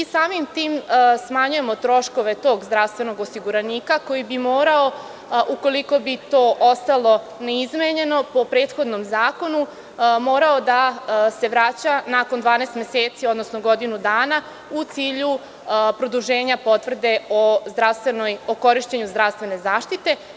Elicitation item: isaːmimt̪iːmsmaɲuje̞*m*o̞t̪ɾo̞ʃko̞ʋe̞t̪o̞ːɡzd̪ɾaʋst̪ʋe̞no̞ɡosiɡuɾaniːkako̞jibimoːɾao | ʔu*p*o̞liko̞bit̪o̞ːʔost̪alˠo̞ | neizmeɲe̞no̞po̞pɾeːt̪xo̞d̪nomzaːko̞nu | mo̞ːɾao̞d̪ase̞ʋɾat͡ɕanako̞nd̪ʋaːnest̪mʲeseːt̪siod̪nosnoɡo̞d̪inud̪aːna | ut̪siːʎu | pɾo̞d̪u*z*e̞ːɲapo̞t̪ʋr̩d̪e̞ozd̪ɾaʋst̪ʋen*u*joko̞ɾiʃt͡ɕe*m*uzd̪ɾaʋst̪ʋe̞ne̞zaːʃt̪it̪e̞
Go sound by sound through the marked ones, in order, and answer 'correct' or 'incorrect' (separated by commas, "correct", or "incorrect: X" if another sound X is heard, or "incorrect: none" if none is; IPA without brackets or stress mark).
correct, incorrect: k, incorrect: ʒ, incorrect: o, incorrect: ɲ